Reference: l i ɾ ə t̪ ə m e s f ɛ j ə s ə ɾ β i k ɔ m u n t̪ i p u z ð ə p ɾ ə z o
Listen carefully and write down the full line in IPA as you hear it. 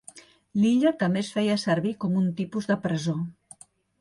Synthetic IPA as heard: l i ʎ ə t̪ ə m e s f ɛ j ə s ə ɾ β i k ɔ m u n t̪ i p u z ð ə p ɾ ə z o